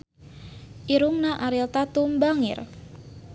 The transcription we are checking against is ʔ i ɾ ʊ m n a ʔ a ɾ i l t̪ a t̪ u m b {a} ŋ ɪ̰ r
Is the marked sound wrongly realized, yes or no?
no